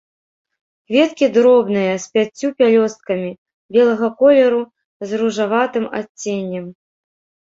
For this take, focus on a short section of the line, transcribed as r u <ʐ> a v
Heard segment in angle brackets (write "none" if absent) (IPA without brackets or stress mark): ʐ